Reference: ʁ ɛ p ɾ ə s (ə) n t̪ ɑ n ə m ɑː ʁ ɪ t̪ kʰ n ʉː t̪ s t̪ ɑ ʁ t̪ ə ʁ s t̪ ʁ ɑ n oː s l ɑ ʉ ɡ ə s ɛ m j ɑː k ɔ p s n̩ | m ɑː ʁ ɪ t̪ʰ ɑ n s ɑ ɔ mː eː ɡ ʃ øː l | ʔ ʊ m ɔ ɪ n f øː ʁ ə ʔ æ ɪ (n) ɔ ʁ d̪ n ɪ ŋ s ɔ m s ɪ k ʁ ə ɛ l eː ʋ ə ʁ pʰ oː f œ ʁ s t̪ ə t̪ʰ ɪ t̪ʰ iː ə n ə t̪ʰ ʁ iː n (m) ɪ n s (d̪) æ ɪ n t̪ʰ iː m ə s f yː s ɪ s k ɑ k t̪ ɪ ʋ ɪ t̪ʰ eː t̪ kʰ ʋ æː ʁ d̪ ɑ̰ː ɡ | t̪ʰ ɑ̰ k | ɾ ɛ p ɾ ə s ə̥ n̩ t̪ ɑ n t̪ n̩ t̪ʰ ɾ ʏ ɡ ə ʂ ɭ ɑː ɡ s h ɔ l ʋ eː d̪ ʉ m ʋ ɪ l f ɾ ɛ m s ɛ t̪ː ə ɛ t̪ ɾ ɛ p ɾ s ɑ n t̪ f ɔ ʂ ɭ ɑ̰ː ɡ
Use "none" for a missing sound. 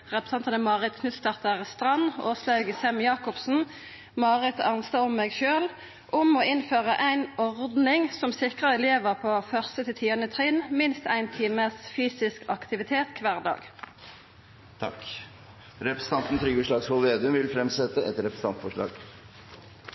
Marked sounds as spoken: ɑ, n, m, t̪

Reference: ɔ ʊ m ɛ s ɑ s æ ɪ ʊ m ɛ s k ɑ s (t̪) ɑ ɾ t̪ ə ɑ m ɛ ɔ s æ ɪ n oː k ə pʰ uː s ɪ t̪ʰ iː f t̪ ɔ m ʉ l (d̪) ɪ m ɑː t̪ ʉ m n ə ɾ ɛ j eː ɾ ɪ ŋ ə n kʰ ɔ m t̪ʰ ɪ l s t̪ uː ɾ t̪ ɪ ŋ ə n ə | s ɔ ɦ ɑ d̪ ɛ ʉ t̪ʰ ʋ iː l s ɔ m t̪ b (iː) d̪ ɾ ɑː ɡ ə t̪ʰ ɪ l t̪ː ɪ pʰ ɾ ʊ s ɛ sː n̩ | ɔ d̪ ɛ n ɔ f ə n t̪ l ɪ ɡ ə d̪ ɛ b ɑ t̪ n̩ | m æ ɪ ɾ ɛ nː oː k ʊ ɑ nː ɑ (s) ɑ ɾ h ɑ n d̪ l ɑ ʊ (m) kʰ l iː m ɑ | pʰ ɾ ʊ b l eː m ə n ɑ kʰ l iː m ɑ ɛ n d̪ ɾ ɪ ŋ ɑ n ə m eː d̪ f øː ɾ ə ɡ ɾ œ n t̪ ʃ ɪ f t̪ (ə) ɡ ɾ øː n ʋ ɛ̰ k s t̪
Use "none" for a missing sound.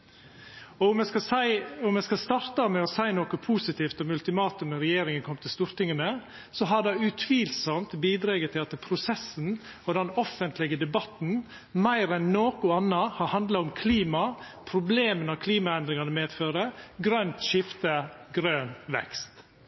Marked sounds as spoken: t̪, t̪, iː, h, m, ə

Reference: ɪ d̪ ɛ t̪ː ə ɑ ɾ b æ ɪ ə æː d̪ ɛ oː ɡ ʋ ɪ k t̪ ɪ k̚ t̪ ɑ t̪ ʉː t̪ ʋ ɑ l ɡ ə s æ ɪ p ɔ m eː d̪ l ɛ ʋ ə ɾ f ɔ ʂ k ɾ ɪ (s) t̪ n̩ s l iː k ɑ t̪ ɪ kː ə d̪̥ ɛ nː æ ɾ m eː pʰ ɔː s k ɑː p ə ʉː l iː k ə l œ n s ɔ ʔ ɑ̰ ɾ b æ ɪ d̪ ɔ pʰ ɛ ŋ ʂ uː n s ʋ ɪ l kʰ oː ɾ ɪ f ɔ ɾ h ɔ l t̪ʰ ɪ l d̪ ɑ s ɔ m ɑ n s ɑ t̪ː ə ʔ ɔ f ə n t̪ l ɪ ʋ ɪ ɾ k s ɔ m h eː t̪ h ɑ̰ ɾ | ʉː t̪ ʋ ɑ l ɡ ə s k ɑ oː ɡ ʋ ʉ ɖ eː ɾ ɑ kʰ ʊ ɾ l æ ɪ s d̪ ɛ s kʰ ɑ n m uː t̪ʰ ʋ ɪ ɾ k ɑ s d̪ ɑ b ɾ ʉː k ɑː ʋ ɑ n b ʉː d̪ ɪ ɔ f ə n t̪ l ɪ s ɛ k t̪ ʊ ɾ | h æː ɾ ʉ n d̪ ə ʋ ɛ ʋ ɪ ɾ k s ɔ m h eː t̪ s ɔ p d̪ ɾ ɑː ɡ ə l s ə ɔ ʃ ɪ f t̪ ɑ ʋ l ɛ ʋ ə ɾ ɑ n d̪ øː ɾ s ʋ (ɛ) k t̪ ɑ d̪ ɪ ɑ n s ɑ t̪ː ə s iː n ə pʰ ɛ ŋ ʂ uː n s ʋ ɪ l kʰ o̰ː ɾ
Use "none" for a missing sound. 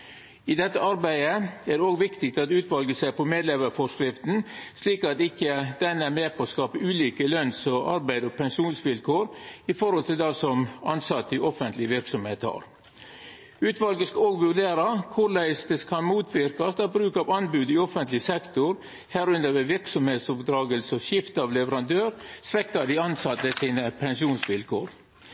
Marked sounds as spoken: f, ɛ

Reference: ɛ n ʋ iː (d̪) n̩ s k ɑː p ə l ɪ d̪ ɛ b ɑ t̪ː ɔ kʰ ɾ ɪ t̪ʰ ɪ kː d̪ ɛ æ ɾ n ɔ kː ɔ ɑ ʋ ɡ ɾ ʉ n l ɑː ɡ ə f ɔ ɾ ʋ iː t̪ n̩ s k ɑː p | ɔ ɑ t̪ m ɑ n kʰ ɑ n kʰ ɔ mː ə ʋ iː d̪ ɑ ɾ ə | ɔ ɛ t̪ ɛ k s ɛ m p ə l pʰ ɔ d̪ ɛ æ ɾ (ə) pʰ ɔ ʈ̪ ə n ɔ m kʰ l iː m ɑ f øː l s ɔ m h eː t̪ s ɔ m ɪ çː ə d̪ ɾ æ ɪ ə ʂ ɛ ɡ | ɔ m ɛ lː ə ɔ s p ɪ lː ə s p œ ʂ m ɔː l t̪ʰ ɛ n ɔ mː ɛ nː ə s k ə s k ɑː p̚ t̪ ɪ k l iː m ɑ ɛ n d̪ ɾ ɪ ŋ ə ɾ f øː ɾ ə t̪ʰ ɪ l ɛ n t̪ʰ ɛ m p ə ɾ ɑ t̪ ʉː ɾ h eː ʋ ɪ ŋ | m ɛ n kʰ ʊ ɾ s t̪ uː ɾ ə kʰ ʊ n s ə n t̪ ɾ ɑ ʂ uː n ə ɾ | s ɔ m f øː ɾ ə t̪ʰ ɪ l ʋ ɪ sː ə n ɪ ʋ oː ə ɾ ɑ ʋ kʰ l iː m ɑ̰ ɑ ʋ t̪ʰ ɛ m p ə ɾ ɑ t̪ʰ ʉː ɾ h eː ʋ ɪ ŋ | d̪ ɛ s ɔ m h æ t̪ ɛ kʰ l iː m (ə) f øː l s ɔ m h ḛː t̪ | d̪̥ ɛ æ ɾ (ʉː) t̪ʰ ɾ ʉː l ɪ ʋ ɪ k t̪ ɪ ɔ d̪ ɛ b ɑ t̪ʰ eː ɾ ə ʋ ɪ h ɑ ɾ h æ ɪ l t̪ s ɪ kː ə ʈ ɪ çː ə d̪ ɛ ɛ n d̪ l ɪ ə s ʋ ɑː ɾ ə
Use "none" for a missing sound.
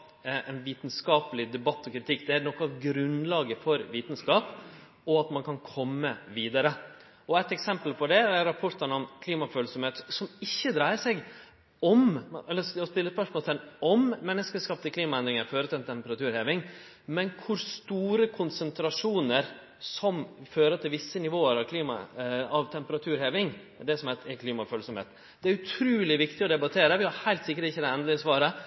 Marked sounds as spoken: t̪, ɑ, ɑ, ʉ

